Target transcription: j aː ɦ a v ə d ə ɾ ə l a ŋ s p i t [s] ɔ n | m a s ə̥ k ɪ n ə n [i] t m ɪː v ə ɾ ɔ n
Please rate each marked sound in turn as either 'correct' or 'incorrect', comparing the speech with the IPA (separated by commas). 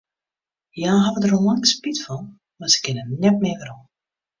incorrect, incorrect